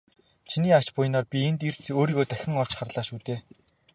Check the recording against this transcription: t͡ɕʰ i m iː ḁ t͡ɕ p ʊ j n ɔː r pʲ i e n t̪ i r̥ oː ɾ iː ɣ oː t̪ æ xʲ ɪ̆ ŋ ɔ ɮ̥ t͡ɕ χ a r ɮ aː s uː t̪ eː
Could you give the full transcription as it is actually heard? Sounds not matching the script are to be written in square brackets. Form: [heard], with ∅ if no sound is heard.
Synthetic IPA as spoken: t͡ɕʰ i [n] iː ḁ t͡ɕ p ʊ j n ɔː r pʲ i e n t̪ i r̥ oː ɾ iː ɣ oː t̪ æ xʲ ɪ̆ ŋ ɔ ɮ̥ t͡ɕ χ a r ɮ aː [ʃ] uː t̪ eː